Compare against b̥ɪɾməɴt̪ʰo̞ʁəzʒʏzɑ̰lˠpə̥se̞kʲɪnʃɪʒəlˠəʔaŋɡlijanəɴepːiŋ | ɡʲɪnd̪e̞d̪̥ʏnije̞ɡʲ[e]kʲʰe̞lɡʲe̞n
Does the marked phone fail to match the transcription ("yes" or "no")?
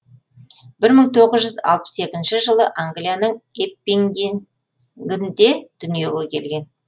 no